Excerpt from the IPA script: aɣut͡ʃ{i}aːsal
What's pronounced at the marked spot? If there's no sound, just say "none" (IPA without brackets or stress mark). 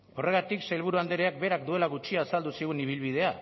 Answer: i